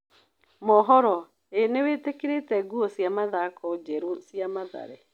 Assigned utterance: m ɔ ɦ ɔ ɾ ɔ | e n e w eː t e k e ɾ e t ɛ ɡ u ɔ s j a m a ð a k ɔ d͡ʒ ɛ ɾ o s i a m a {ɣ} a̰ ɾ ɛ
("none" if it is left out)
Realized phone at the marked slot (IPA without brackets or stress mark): ð